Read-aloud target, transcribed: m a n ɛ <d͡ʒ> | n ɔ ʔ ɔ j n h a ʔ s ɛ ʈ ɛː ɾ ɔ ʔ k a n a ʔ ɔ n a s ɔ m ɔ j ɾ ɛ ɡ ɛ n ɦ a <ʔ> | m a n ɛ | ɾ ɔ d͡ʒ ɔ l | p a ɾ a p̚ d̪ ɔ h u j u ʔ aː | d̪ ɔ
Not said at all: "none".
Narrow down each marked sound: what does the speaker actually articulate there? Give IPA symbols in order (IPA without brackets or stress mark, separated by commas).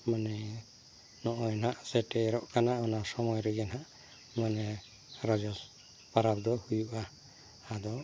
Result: none, ʔ